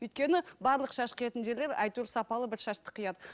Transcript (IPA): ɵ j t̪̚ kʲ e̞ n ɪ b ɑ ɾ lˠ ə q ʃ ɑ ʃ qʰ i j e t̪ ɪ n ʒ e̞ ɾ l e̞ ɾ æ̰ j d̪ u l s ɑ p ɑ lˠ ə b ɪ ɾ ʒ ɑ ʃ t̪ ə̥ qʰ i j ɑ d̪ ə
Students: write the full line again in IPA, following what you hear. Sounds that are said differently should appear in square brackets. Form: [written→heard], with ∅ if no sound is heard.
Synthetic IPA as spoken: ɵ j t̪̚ kʲ e̞ n ɪ b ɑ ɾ lˠ ə q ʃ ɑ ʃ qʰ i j e t̪ ɪ n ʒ e̞ ɾ l e̞ ɾ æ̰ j [d̪→t̪] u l s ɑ p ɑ lˠ ə b ɪ ɾ [ʒ→ʃ] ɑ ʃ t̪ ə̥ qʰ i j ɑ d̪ ə